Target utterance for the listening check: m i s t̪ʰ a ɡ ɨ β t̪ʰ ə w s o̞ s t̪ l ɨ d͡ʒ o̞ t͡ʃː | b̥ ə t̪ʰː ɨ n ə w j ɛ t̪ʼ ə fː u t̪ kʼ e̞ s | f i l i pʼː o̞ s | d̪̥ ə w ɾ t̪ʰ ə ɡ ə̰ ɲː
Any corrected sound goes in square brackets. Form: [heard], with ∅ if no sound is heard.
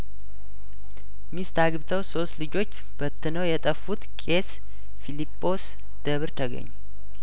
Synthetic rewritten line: m i s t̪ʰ a ɡ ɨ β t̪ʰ ə w s o̞ s t̪ l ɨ d͡ʒ o̞ t͡ʃː | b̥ ə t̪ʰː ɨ n ə w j ɛ t̪ʼ ə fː u t̪ kʼ e̞ s | f i l i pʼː o̞ s | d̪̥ ə [β] ɾ t̪ʰ ə ɡ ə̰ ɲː